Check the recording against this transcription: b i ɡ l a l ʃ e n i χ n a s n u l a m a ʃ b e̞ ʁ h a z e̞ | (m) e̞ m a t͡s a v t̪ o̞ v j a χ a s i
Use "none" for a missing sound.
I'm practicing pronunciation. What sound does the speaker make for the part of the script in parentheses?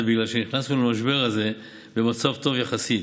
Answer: b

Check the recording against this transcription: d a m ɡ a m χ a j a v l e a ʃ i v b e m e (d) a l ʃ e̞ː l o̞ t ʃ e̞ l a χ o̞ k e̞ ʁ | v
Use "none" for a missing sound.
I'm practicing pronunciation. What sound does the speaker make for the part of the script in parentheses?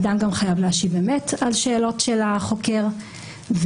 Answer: t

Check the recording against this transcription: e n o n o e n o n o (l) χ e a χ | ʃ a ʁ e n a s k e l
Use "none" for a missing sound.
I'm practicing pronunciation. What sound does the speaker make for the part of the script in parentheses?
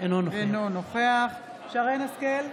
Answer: none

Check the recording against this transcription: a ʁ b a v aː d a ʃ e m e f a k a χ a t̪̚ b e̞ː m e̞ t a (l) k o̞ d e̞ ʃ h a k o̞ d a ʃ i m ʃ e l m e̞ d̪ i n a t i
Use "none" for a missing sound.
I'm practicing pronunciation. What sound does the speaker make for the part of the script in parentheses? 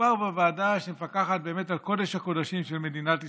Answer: l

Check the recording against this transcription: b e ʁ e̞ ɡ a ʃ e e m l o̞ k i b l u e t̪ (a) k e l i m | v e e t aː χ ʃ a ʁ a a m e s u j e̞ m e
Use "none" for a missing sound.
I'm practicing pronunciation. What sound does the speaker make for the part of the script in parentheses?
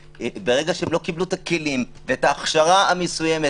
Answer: a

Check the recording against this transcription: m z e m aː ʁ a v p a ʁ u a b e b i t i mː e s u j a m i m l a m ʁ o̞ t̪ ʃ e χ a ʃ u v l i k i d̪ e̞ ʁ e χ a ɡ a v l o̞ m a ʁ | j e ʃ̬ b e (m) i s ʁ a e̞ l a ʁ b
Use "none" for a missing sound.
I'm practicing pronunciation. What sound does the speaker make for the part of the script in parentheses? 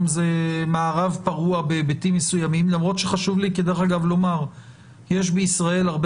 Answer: none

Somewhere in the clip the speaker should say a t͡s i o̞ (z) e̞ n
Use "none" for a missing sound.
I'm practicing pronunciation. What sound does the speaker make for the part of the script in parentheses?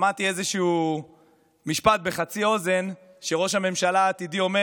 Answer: z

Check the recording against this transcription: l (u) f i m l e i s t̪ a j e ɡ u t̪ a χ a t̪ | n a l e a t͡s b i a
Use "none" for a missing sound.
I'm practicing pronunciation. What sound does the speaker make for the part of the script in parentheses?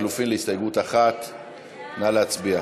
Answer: u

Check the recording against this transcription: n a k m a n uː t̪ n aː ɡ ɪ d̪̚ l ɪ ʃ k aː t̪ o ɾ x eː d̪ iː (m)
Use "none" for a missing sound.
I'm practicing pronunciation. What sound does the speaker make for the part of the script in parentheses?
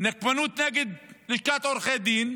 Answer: n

